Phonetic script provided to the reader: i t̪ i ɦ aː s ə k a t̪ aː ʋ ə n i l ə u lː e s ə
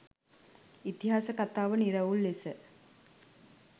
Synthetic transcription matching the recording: i t̪ i ɦ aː s ə k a t̪ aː ʋ ə n i ɾ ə u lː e s ə